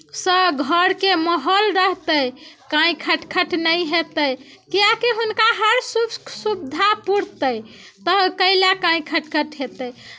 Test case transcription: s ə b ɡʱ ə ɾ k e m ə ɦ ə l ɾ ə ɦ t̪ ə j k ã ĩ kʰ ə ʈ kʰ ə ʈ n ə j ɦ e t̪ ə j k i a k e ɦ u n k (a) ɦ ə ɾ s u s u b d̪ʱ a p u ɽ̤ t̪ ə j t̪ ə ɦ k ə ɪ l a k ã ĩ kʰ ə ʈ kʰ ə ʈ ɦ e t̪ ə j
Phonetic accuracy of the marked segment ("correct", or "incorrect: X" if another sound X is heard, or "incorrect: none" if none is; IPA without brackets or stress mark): correct